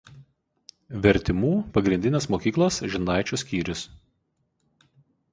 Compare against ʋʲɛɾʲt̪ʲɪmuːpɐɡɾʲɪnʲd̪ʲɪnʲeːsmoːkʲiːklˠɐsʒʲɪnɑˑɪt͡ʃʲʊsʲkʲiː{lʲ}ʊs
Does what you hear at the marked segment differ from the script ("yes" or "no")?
yes